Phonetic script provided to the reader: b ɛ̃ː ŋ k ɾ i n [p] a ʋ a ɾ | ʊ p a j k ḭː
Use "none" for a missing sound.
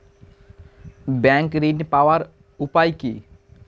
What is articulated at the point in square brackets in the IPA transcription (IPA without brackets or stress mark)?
p